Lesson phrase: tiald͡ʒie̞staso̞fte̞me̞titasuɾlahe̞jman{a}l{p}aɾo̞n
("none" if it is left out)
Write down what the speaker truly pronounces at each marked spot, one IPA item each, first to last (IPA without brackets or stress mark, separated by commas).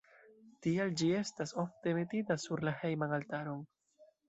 a, t